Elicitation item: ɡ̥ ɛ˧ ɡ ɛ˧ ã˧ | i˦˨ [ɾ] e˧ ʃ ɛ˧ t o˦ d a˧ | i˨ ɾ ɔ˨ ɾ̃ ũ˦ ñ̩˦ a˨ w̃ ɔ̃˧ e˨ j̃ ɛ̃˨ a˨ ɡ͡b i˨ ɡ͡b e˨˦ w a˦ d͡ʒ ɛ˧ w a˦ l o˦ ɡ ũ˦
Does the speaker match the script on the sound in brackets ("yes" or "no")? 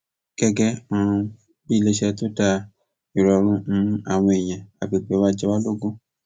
no